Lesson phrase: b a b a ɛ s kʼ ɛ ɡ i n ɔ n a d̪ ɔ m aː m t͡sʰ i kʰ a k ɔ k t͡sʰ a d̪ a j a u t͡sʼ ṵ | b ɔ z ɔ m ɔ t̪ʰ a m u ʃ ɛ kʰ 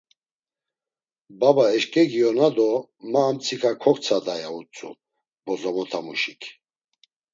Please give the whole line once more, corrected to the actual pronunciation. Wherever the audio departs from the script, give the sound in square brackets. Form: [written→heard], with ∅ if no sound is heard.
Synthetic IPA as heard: b a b a ɛ [s→ʃ] kʼ ɛ ɡ i [n→∅] ɔ n a d̪ ɔ m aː m t͡sʰ i kʰ a [k→kʰ] ɔ k t͡sʰ a d̪ a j a u t͡sʼ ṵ | b ɔ z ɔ m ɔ t̪ʰ a m u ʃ [ɛ→i] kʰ